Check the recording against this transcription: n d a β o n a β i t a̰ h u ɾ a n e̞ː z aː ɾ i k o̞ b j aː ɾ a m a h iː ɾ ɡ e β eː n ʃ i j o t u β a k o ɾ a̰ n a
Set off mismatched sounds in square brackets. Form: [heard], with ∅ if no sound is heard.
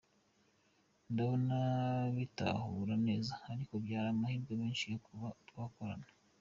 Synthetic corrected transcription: n d a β o n a β i t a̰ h u ɾ a n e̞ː z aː ɾ i k o̞ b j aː ɾ a m a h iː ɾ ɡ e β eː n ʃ i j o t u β a k o ɾ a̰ n a